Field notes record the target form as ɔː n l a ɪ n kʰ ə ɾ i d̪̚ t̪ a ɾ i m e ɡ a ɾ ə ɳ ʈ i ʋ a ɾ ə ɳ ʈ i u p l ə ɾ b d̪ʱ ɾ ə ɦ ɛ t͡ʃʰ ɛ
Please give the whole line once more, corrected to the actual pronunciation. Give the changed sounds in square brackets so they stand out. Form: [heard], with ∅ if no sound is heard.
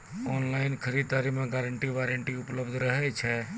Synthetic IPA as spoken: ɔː n l a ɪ n kʰ ə ɾ i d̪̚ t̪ a ɾ i m e ɡ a ɾ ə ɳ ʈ i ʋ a ɾ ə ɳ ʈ i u p l ə [∅] b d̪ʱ ɾ ə ɦ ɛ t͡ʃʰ ɛ